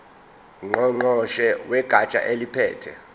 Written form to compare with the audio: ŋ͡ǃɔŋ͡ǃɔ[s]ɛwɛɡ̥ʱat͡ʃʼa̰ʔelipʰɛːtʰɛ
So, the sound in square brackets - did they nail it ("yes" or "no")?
no